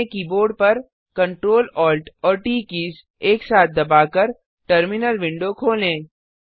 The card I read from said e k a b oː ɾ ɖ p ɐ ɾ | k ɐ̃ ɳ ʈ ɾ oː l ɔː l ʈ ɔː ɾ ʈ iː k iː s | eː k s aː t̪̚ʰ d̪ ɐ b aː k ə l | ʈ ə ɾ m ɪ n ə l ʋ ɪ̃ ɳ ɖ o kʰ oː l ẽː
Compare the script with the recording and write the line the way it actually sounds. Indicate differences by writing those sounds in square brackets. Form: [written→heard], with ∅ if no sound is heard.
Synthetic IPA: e k [a→i] b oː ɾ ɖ p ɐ ɾ | k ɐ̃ ɳ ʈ ɾ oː l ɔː l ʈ ɔː ɾ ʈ iː k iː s | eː k s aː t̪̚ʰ d̪ ɐ b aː k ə [l→ɾ] | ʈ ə ɾ m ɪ n ə l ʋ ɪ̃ ɳ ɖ o kʰ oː l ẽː